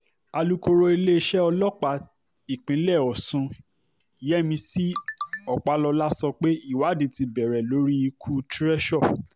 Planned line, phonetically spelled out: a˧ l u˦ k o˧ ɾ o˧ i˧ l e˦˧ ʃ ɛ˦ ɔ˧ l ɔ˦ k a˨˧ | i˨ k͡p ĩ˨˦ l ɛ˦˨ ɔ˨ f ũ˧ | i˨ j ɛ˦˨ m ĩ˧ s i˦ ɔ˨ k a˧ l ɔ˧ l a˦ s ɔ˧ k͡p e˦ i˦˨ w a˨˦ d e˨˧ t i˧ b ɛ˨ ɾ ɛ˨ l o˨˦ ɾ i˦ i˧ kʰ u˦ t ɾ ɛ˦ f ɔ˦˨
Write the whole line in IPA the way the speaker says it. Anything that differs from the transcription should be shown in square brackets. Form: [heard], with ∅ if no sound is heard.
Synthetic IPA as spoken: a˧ l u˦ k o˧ ɾ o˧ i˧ l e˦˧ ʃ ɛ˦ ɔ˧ l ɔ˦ [k͡p] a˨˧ | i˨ k͡p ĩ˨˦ l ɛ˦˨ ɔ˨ [s] ũ˧ | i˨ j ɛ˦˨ m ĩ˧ s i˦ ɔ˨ [k͡p] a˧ l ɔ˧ l a˦ s ɔ˧ k͡p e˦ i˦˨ w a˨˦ d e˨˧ t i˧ b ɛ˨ ɾ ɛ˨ l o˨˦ ɾ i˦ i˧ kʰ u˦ t ɾ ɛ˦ [ʃ] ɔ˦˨